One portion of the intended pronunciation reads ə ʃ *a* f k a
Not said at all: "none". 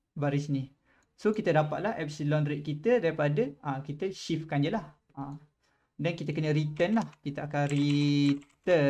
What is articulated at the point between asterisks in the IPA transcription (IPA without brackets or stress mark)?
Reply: i